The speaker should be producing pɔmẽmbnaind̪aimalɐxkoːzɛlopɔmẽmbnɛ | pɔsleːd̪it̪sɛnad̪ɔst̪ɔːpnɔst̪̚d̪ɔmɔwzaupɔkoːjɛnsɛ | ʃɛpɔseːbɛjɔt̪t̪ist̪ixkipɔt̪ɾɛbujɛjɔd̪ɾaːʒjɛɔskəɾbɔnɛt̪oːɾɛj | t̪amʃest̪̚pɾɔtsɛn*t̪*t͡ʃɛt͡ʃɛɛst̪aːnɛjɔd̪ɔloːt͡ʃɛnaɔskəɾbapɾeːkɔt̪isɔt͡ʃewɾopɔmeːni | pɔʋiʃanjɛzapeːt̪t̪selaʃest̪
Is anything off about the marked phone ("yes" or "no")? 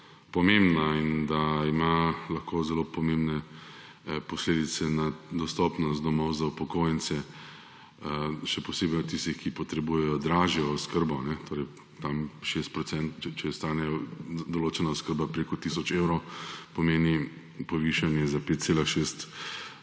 no